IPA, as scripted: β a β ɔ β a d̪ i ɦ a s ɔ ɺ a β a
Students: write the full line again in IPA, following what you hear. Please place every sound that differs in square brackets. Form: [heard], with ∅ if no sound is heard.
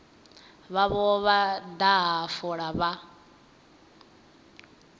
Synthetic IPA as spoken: β a β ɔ β a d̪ [a] ɦ a [f] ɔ ɺ a β a